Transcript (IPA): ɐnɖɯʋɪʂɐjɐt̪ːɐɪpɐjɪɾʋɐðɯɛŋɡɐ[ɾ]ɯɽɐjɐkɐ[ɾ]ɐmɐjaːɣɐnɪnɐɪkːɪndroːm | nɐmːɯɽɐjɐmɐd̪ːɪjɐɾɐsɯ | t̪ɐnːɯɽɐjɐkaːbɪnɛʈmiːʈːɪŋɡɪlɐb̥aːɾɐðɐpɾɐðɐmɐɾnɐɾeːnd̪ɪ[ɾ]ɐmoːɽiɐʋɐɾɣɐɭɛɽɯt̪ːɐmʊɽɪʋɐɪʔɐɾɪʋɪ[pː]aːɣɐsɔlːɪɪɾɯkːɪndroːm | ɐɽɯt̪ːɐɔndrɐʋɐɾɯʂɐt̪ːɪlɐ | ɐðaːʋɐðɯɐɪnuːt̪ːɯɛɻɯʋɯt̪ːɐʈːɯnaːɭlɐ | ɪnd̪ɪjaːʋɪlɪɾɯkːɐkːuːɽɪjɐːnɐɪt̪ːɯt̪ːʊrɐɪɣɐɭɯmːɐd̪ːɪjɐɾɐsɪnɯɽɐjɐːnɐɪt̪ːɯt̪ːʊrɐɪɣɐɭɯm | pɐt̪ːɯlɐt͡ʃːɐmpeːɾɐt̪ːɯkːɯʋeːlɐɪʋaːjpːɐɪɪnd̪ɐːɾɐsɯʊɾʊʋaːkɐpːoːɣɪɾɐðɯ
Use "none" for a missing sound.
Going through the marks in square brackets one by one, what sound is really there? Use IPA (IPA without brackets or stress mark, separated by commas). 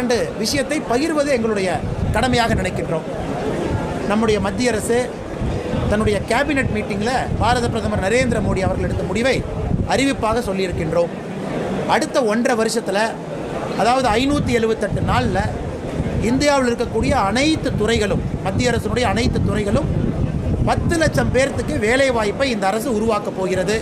ɭ, ɽ, ɾ, pː